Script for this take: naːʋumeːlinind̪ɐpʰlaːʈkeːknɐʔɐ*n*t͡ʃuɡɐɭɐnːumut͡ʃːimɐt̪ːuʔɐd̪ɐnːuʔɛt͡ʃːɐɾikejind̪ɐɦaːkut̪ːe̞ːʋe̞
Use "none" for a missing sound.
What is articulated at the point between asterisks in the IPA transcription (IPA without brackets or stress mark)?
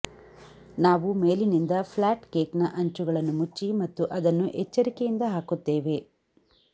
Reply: ɲ